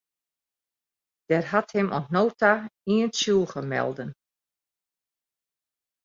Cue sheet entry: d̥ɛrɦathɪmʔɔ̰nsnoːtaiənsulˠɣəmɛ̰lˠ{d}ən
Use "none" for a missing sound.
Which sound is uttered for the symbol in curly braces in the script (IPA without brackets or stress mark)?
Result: d